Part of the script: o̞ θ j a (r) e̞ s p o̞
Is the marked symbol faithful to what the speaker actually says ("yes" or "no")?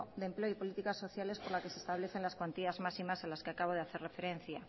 no